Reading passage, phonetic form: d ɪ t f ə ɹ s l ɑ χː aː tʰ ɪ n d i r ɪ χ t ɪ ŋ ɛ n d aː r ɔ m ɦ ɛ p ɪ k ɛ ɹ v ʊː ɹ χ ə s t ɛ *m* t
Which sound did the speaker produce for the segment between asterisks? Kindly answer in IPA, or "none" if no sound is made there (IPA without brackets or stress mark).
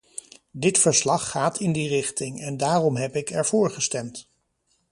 m